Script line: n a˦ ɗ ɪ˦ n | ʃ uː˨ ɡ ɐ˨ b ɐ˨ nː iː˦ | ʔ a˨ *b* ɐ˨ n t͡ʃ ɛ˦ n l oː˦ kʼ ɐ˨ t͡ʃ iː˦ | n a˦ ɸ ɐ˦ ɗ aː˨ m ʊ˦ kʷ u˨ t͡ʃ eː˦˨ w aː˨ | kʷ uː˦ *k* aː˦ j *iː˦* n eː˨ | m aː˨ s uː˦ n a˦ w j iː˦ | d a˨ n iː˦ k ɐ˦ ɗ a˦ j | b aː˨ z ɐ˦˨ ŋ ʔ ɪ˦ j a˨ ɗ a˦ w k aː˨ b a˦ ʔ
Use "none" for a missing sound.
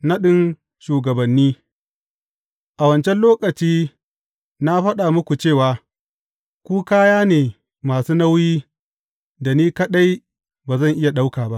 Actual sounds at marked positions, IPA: w, k, aː˦

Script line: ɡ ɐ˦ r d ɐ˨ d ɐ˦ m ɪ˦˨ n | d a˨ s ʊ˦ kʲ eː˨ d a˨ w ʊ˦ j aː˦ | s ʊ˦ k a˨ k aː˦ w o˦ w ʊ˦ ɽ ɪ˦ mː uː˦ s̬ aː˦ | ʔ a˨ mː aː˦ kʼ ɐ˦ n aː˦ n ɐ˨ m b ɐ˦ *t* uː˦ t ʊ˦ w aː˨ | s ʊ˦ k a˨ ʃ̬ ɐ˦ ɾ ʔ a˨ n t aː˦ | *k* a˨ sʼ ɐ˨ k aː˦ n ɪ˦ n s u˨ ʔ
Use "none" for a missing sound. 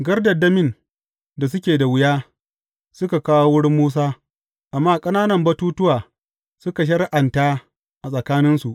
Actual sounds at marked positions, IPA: t, ʔ

